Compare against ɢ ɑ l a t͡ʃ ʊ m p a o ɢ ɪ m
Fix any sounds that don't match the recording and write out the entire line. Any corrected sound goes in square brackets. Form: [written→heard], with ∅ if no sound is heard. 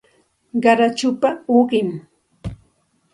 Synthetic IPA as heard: ɢ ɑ [l→ɾ] a t͡ʃ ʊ [m→∅] p a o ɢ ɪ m